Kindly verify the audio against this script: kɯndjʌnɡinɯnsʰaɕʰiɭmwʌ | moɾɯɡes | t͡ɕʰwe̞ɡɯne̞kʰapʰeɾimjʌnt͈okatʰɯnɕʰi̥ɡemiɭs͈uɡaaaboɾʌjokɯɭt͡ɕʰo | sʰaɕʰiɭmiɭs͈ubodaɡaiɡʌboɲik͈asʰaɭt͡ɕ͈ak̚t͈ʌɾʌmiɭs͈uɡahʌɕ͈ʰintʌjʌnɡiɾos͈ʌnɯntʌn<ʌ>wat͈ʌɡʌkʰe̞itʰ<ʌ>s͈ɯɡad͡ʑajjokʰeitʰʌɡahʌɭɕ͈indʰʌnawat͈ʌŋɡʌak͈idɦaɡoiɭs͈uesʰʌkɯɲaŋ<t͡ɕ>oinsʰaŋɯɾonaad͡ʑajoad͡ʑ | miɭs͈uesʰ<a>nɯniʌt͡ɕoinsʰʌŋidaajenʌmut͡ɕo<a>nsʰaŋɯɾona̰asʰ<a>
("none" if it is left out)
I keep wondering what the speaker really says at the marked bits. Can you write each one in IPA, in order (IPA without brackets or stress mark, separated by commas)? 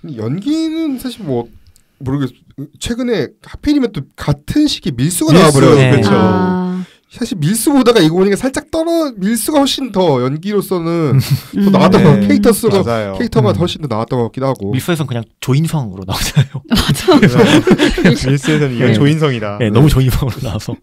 a, ʌ, t͡ɕ, ʌ, i, ʌ